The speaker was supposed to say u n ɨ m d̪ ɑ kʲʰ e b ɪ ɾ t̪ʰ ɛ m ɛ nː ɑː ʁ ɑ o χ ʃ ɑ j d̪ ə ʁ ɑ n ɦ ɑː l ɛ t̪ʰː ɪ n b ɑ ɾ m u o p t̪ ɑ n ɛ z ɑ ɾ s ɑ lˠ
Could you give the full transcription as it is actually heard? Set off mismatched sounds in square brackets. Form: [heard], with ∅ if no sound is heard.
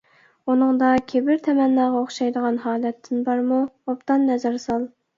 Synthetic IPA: u n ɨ [ŋ] d̪ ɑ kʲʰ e b ɪ ɾ t̪ʰ ɛ m ɛ nː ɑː ʁ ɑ o χ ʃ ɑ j d̪ ə ʁ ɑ n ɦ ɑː l ɛ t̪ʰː ɪ n b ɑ ɾ m u o p t̪ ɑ [nː] ɛ z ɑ ɾ s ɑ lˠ